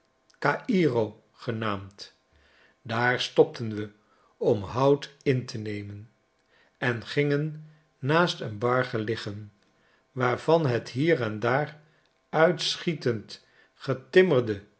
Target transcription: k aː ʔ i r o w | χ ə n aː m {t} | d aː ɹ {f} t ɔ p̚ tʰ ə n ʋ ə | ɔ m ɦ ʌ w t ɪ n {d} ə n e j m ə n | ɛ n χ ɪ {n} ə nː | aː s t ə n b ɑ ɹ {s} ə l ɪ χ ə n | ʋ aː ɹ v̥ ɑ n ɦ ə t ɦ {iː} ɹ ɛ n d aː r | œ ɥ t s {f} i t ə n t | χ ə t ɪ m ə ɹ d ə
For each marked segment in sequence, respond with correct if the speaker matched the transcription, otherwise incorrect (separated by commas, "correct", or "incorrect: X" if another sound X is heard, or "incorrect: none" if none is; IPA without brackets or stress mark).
correct, incorrect: s, incorrect: t, incorrect: ŋ, incorrect: χ, correct, incorrect: χ